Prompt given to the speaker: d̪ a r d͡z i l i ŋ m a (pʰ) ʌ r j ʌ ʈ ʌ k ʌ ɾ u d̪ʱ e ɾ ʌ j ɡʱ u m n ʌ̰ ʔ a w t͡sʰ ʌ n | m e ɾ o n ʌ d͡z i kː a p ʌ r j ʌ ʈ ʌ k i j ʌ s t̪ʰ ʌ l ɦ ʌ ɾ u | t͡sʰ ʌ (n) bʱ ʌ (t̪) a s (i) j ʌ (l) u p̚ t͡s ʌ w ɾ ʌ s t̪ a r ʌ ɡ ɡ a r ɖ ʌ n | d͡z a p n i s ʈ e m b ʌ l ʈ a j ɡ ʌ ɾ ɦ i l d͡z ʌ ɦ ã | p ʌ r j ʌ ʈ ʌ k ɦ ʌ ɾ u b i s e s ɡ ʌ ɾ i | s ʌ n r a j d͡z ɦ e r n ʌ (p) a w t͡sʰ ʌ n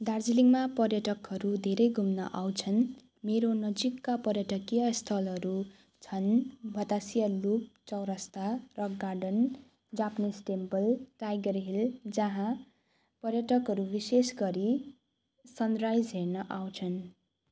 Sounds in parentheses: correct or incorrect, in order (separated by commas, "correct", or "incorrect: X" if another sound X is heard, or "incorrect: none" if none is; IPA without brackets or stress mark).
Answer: incorrect: p, correct, correct, correct, correct, incorrect: ʔ